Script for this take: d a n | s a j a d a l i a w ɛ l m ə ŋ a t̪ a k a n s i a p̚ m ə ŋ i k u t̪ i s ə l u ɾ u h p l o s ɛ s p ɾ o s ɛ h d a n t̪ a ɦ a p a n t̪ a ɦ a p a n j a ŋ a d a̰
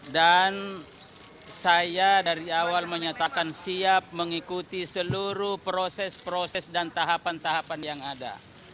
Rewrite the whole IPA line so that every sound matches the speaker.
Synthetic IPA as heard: d a n | s a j a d a ɾ i a w a l m ə ɲ a t̪ a k a n s i a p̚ m ə ŋ i k u t̪ i s ə l u ɾ u h p ɾ o s ɛ s p ɾ o s ɛ s d a n t̪ a ɦ a p a n t̪ a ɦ a p a n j a ŋ a d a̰

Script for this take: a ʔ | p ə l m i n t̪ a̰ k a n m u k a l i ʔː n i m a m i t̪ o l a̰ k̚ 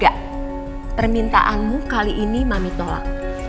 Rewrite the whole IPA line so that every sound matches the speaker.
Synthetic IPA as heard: a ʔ | p ə r m i n t̪ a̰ ʔ a n m u k a l i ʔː n i m a m i t̪ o l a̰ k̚

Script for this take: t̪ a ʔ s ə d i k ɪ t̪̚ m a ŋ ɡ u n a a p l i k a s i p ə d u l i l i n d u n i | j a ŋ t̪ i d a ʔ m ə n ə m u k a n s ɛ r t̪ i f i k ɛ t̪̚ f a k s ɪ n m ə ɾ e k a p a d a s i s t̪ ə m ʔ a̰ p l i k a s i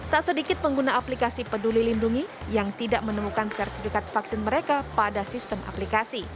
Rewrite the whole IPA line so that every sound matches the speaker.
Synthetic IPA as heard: t̪ a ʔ s ə d i k ɪ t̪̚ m ə ŋ ɡ u n a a p l i k a s i p ə d u l i l i n d u ŋ i | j a ŋ t̪ i d a ʔ m ə n ə m u k a n s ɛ r t̪ i f i k a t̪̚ f a k s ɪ n m ə ɾ e k a p a d a s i s t̪ ə m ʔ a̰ p l i k a s i

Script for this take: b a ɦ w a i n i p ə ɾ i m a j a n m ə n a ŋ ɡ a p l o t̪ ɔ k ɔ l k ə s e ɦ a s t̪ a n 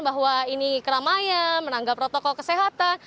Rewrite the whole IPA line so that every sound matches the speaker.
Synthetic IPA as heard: b a ɦ w a i n i k ə ɾ a m a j a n m ə n a ŋ ɡ a p ɾ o t̪ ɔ k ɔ l k ə s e ɦ a t̪ a n

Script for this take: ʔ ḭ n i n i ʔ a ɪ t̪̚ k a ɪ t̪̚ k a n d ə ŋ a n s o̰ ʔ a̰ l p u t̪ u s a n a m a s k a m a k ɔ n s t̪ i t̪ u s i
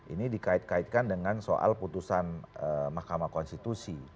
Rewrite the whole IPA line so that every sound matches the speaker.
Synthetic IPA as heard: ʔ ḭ n i d i k a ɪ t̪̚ k a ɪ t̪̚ k a n d ə ŋ a n s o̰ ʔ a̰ l p u t̪ u s a n ə m a h k a m a k ɔ n s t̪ i t̪ u s i

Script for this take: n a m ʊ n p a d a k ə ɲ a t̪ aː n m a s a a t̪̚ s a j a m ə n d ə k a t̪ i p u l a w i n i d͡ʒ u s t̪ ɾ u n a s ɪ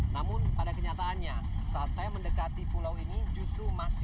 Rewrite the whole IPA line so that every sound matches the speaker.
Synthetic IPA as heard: n a m ʊ n p a d a k ə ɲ a t̪ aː n ɲ a s a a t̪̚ s a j a m ə n d ə k a t̪ i p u l a w i n i d͡ʒ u s t̪ ɾ u m a s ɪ

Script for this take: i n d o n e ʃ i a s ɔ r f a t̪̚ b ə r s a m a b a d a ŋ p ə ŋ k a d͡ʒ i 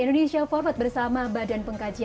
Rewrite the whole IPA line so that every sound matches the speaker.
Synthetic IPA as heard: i n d o n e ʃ i a f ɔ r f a t̪̚ b ə r s a m a b a d a n p ə ŋ k a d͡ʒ i

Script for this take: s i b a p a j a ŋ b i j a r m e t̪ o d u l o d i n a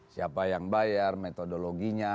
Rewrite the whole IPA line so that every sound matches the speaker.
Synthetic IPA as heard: s i a p a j a ŋ b a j a r m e t̪ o d o l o ɡ i ɲ a

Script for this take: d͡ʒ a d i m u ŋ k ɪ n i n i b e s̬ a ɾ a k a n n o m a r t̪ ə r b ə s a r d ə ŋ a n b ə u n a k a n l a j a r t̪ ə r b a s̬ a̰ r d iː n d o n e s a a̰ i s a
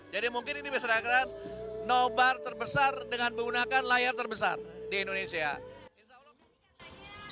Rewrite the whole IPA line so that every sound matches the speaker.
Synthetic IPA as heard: d͡ʒ a d i m u ŋ k ɪ n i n i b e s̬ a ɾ a k a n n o b a r t̪ ə r b ə s a r d ə ŋ a n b ə u n a k a n l a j a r t̪ ə r b ə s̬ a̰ r d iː n d o n e s i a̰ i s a

